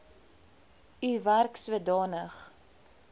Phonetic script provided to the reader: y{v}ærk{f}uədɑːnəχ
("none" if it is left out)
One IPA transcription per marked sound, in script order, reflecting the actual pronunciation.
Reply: v, s

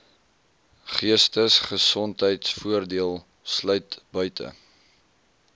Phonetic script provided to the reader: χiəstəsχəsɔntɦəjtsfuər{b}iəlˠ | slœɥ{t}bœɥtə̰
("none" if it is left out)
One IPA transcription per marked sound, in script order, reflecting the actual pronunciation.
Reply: d, t

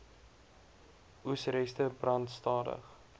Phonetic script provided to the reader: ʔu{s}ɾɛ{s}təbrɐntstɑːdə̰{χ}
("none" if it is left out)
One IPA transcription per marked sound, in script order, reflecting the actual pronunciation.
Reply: s, s, χ

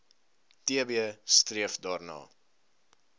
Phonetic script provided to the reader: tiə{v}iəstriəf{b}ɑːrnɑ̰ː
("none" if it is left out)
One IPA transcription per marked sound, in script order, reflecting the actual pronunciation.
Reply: b, d

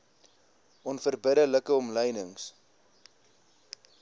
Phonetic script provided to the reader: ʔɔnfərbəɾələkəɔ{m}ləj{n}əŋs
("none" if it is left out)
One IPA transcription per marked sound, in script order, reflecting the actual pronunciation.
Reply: m, n

